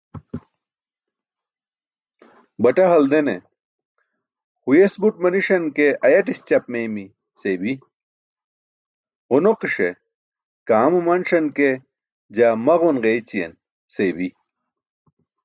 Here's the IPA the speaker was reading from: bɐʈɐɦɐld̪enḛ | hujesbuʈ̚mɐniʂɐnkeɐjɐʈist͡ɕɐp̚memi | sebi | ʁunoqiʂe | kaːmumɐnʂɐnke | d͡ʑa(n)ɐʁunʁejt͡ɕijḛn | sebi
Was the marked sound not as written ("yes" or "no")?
yes